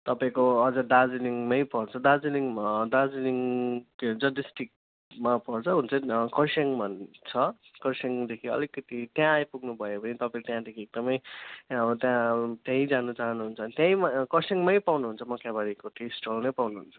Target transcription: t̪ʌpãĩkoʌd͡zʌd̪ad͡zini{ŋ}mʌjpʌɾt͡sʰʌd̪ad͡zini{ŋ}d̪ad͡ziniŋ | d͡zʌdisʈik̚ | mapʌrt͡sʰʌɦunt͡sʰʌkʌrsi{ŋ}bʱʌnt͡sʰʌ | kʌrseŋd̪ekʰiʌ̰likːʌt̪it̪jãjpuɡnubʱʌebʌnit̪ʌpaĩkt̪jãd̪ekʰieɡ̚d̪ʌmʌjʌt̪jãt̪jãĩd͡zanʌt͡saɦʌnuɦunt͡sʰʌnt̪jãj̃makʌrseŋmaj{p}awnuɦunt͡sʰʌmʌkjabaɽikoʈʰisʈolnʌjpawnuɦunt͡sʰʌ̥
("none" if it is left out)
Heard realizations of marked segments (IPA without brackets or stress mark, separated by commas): ŋ, ŋ, ŋ, p